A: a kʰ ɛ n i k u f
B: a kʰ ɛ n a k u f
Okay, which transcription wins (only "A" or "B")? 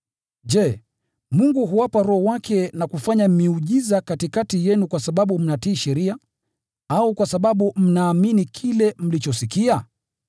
B